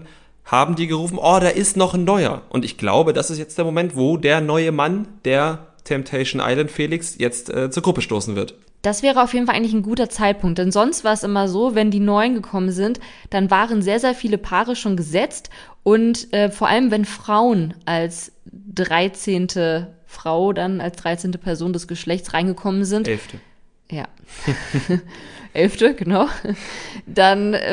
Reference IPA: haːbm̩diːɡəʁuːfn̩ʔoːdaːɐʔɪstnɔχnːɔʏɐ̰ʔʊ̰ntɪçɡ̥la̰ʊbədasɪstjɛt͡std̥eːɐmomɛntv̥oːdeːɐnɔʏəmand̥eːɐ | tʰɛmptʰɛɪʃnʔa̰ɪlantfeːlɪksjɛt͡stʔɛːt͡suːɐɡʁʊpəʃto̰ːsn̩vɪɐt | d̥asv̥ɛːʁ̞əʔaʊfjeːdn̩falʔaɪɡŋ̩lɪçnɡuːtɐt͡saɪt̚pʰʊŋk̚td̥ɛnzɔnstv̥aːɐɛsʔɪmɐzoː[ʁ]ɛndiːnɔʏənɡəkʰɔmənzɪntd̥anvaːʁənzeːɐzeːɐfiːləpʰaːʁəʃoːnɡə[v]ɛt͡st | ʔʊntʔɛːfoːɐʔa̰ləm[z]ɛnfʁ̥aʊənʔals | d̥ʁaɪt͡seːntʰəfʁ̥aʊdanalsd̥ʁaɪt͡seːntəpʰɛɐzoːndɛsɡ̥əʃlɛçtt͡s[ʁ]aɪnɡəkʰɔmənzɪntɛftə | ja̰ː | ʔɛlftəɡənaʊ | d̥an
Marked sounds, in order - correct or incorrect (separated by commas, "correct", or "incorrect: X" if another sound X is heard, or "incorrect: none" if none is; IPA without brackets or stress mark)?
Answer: incorrect: v, incorrect: z, incorrect: v, correct